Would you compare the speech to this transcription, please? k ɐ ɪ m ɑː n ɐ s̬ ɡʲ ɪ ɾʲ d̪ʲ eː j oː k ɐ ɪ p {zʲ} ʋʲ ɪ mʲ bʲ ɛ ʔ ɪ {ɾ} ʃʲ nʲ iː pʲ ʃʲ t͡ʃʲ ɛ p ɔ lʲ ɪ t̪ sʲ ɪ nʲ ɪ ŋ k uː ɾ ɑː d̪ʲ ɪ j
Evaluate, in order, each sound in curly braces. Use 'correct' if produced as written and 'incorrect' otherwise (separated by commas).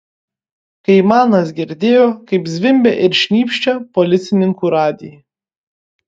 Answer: correct, correct